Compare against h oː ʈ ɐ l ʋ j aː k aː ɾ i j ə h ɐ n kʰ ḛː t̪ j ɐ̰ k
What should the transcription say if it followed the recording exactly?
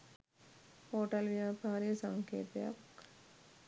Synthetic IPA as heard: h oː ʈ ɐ l ʋ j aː p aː ɾ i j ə s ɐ ŋ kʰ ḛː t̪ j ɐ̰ k